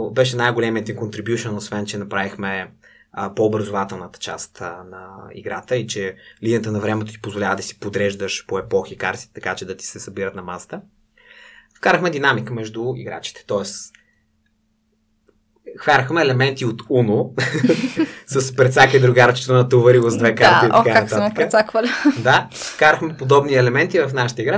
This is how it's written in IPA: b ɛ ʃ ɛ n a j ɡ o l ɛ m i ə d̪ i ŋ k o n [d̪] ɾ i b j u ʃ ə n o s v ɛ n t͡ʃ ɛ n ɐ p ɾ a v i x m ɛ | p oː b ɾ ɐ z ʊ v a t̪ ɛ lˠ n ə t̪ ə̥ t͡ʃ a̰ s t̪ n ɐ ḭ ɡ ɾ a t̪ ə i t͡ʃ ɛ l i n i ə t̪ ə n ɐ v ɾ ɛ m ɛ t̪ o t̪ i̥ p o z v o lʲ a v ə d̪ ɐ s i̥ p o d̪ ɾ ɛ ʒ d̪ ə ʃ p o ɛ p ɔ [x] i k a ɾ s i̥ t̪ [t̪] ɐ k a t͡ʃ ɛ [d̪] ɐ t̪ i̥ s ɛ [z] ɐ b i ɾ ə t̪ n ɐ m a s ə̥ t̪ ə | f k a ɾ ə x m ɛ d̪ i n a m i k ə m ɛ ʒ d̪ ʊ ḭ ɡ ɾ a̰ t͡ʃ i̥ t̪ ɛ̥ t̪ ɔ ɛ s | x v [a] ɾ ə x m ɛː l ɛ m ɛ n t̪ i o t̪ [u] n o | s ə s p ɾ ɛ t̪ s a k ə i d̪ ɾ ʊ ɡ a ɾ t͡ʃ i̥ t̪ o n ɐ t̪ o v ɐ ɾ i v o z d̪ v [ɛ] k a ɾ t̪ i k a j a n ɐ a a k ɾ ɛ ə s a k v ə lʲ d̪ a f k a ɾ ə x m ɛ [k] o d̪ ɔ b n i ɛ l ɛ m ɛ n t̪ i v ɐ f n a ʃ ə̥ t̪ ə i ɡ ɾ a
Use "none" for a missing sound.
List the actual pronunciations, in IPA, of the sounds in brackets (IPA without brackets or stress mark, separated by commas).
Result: t̪, x, t̪, d̪, s, a, u, ɛ, p